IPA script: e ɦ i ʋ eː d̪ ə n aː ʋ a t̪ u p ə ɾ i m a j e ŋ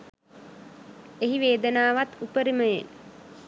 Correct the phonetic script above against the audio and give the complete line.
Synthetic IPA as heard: e ɦ i ʋ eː d̪ ə n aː ʋ a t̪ u p ə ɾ i m ə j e n